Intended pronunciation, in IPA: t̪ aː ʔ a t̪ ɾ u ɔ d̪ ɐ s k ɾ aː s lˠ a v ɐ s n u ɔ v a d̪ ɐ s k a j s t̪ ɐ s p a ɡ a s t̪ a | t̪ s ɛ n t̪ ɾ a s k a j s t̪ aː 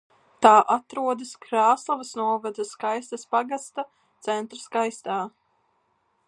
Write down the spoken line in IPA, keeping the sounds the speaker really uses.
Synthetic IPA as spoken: t̪ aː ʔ a t̪ ɾ u ɔ d̪ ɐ s k ɾ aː s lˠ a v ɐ s n u ɔ v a d̪ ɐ s k a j s t̪ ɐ s p a ɡ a s t̪ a | t̪ s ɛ n t̪ ɾ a s k a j s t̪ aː